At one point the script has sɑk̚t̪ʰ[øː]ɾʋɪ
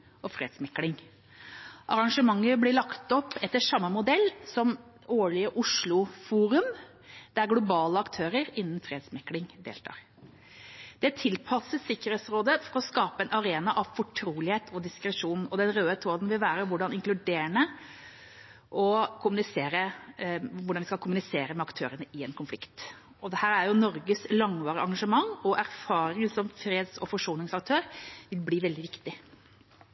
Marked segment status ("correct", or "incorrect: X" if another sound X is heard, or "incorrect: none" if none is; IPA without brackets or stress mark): correct